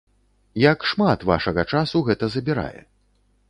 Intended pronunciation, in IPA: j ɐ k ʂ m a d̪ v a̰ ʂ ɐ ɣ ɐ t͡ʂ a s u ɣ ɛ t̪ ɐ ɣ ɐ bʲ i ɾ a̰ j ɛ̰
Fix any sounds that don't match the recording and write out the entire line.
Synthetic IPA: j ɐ k ʂ m a t̪ v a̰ ʂ ɐ ɣ ɐ t͡ʂ a s u ɣ ɛ t̪ ɐ z ɐ bʲ i ɾ a̰ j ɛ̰

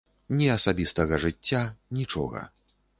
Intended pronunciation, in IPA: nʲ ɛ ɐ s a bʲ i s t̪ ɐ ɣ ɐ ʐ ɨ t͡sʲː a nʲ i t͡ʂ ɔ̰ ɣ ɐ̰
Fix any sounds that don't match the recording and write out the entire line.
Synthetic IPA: nʲ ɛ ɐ s a bʲ i s t̪ ɐ ɣ ɐ ʐ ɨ t͡sʲː a nʲ i t͡ʂ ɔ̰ ɣ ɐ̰

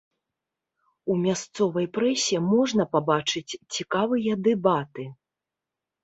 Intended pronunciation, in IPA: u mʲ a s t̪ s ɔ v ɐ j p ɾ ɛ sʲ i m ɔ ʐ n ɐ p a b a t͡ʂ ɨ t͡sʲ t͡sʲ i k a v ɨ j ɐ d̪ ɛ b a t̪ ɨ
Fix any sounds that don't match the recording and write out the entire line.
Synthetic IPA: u mʲ a s t̪ s ɔ v ɐ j p ɾ ɛ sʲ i m ɔ ʐ n ɐ p a b a t͡ʂ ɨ t͡sʲ t͡sʲ i k a v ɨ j ɐ d̪ ɛ b a t̪ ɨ

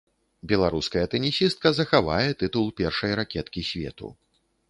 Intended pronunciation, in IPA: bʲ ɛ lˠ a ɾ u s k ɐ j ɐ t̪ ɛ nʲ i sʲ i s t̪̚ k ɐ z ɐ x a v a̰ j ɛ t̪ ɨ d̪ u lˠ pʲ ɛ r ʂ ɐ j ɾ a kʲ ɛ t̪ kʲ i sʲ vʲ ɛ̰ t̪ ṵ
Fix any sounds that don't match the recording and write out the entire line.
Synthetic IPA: bʲ ɛ lˠ a ɾ u s k ɐ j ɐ t̪ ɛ nʲ i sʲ i s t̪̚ k ɐ z ɐ x a v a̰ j ɛ t̪ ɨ t̪ u lˠ pʲ ɛ r ʂ ɐ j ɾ a kʲ ɛ t̪ kʲ i sʲ vʲ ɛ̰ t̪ ṵ

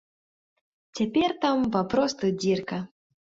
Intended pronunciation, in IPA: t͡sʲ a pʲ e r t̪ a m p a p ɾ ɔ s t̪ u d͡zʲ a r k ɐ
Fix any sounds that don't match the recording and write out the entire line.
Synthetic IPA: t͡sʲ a pʲ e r t̪ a m p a p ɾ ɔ s t̪ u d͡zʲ i r k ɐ

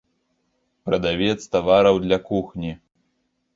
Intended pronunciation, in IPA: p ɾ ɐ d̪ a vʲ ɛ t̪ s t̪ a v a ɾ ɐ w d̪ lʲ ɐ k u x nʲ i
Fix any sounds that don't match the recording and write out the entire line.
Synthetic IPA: p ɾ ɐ d̪ a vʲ ɛ t̪ s t̪ a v a ɾ ɐ w d̪ lʲ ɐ k u x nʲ i

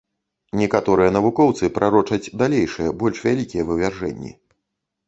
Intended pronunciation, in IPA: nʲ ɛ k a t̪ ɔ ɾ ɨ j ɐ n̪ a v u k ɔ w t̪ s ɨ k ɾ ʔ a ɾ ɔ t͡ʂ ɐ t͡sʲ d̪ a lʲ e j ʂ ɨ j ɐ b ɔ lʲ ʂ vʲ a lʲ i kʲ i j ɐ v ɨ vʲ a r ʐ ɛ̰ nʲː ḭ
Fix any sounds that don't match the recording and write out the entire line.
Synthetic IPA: nʲ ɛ k a t̪ ɔ ɾ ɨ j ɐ n̪ ɐ v u k ɔ w t̪ s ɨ p ɾ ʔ a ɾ ɔ t͡ʂ ɐ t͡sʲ d̪ a lʲ e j ʂ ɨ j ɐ b ɔ lʲ ʂ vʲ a lʲ i kʲ i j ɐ v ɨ vʲ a r ʐ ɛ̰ nʲː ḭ

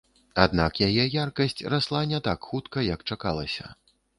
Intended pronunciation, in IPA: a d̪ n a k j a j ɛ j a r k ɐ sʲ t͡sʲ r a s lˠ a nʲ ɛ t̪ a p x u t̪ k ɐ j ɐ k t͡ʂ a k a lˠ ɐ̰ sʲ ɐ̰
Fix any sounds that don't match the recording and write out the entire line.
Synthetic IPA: a d̪ n a k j a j ɛ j a r k ɐ sʲ t͡sʲ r a s lˠ a nʲ ɛ t̪ a k x u t̪ k ɐ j ɐ k t͡ʂ a k a lˠ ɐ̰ sʲ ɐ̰

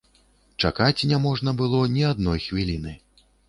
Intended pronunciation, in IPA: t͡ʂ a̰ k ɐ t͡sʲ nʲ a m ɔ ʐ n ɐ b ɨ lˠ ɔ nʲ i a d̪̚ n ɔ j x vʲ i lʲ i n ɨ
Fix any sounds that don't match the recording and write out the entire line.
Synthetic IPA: t͡ʂ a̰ k a t͡sʲ nʲ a m ɔ ʐ n ɐ b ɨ lˠ ɔ nʲ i a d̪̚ n ɔ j x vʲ i lʲ i n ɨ

